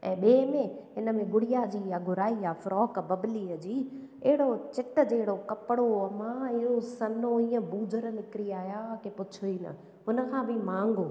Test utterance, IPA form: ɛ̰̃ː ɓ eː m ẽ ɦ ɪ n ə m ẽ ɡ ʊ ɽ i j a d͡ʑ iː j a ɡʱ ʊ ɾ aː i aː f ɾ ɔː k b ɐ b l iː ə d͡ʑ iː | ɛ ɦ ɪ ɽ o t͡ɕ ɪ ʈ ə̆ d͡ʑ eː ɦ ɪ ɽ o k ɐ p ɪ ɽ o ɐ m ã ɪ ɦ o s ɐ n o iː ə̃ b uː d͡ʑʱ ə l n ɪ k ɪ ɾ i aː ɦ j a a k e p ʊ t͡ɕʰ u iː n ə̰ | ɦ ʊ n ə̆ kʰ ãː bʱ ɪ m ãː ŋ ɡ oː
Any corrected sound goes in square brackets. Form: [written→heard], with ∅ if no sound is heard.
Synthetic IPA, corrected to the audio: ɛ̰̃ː ɓ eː m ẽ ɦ ɪ n ə m ẽ ɡ ʊ ɽ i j a d͡ʑ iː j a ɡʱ ʊ ɾ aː i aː f ɾ ɔː k b ɐ b l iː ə d͡ʑ iː | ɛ ɦ ɪ ɽ o t͡ɕ ɪ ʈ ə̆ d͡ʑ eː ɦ ɪ ɽ o k ɐ p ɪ ɽ o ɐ m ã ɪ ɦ o s ɐ n o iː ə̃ b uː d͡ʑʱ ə [l→ɾ] n ɪ k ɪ ɾ i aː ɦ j a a k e p ʊ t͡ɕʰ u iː n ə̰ | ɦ ʊ n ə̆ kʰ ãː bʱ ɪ m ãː ŋ ɡ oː